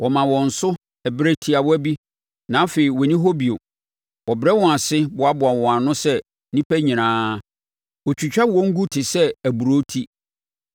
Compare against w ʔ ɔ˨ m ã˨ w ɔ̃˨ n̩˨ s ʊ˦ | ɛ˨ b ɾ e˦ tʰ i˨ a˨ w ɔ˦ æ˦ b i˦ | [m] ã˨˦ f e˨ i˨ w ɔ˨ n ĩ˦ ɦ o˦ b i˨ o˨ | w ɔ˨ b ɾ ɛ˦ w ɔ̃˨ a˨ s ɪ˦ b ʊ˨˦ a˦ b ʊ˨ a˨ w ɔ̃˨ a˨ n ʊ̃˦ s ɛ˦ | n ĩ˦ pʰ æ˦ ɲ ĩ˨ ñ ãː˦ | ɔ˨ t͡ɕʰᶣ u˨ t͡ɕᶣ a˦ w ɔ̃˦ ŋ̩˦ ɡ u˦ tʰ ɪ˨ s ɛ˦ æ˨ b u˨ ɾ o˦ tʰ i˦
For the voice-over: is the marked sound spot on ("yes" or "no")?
no